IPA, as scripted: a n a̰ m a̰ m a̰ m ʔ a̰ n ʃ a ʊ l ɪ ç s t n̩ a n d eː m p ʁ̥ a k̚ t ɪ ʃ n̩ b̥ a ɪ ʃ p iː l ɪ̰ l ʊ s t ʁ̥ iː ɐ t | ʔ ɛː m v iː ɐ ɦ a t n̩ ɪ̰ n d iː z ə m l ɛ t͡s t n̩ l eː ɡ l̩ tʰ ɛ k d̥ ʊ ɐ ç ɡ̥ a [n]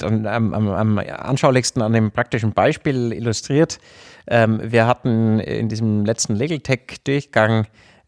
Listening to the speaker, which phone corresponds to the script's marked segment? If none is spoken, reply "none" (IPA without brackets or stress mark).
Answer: ŋ